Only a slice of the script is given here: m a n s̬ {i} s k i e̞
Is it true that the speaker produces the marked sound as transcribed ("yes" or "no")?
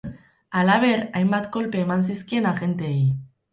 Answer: yes